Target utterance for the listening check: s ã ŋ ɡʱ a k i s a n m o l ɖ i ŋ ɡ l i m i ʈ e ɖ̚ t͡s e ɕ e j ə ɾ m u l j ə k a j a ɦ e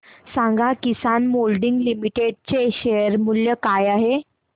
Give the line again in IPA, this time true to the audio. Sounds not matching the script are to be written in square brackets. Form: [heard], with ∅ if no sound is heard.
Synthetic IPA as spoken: s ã ŋ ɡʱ a k i s a n m o l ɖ i ŋ ɡ l i m i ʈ e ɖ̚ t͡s e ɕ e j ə ɾ m u l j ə k a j a ɦ e

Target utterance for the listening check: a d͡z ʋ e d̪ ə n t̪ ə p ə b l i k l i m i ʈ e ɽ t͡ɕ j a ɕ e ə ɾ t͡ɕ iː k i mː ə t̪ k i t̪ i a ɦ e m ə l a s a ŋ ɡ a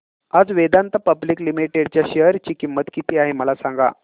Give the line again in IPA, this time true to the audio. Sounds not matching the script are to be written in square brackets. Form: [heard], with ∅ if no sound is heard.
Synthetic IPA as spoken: a d͡z ʋ e d̪ [a] n t̪ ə p ə b l i k l i m i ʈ e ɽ t͡ɕ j a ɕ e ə ɾ t͡ɕ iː k i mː ə t̪ k i t̪ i a ɦ e m ə l a s a ŋ ɡ a

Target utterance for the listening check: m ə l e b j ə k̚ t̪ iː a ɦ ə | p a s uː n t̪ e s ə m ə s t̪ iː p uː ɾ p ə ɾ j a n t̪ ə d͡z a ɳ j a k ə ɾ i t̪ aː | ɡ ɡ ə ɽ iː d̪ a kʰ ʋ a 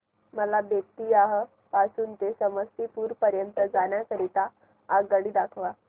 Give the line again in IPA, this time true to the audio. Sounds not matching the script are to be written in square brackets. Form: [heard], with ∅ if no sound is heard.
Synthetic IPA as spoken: m ə l [a] b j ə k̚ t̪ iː a ɦ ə | p a s uː n t̪ e s ə m ə s t̪ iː p uː ɾ p ə ɾ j [ə] n t̪ ə d͡z a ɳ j a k ə ɾ i t̪ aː | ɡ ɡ ə ɽ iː d̪ a kʰ ʋ a

